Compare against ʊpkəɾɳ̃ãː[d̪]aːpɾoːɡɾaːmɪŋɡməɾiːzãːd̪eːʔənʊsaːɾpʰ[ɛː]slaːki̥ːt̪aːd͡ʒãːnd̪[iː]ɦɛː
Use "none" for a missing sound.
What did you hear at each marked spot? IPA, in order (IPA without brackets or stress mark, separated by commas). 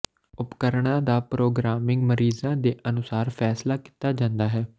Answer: d̪, ɛː, aː